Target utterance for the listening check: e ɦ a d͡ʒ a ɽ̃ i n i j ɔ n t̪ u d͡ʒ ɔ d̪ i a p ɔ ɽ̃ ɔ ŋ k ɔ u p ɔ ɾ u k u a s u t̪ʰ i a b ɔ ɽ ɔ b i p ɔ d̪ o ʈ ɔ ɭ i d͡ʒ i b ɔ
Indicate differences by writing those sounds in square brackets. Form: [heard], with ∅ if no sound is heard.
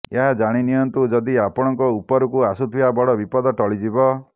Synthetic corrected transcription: e ɦ a d͡ʒ a ɽ̃ i n i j ɔ n t̪ u d͡ʒ ɔ d̪ i a p ɔ ɽ̃ ɔ ŋ k ɔ u p ɔ ɾ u k u a s u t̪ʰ i a b ɔ ɽ ɔ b i p ɔ d̪ [ɔ] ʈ ɔ ɭ i d͡ʒ i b ɔ